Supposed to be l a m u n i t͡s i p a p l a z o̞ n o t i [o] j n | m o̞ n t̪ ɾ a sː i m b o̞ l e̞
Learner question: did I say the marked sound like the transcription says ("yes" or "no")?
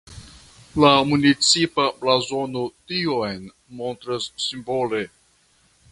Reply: yes